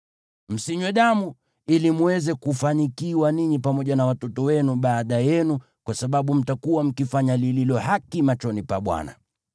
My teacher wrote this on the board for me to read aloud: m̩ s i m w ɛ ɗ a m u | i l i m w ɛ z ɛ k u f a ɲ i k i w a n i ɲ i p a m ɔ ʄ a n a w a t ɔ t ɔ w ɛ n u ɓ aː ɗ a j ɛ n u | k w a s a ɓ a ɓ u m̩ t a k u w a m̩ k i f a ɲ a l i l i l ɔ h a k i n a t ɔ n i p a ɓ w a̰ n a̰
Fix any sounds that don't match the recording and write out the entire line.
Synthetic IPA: m̩ s i ɲ w ɛ ɗ a m u | i l i m w ɛ z ɛ k u f a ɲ i k i w a n i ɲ i p a m ɔ ʄ a n a w a t ɔ t ɔ w ɛ n u ɓ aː ɗ a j ɛ n u | k w a s a ɓ a ɓ u m̩ t a k u w a m̩ k i f a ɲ a l i l i l ɔ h a k i m a t͡ʃ ɔ n i p a ɓ w a̰ n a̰